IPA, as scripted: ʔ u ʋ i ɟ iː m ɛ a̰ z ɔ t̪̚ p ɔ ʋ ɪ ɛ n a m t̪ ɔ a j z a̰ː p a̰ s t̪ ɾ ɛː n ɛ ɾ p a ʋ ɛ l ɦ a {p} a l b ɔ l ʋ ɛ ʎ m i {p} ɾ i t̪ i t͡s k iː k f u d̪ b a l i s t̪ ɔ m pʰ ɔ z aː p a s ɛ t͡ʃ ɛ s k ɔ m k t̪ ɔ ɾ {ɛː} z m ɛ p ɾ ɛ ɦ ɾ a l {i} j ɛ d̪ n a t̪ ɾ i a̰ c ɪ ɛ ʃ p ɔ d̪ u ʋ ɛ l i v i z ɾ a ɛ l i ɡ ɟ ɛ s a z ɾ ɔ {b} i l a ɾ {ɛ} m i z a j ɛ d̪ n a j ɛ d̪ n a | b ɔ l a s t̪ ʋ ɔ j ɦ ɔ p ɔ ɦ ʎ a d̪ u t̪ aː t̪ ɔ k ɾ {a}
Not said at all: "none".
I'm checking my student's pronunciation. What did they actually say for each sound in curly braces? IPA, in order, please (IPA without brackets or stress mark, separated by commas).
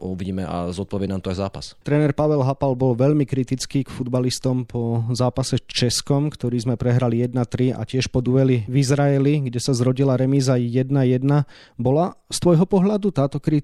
p, k, iː, i, ɟ, ɛ, i